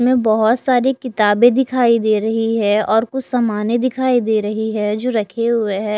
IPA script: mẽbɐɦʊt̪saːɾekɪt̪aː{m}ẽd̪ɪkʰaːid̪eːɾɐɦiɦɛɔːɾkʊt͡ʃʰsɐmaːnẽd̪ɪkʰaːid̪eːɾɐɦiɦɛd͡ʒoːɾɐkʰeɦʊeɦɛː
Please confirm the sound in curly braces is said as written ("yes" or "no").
no